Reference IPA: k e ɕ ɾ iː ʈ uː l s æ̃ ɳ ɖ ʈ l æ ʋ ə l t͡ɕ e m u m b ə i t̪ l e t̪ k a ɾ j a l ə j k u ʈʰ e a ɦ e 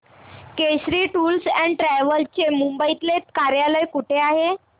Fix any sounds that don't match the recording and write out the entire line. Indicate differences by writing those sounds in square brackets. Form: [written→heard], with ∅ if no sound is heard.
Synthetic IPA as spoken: k e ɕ ɾ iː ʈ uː l s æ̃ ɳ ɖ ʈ [l→ɾ] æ ʋ ə l t͡ɕ e m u m b ə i t̪ l e t̪ k a ɾ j a l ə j k u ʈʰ e a ɦ e